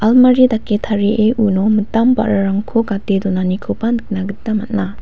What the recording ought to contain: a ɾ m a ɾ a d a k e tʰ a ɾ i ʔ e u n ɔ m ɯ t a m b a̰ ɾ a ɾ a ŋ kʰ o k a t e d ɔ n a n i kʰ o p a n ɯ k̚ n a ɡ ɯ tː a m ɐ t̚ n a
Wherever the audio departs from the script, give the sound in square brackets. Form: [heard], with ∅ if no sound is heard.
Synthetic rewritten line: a [l] m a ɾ [i] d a k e tʰ a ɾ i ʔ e u n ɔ m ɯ t a m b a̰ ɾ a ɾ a ŋ kʰ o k a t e d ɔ n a n i kʰ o p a n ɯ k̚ n a ɡ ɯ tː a m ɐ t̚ n a